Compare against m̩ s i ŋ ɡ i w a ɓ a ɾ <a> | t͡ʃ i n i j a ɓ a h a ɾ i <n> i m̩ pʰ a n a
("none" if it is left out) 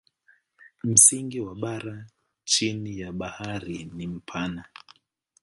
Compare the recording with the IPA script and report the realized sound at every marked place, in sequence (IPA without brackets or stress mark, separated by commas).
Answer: a, n